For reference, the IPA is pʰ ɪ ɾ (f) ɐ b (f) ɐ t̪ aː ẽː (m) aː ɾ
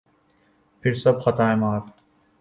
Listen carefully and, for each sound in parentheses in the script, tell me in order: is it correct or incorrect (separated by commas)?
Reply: incorrect, incorrect, correct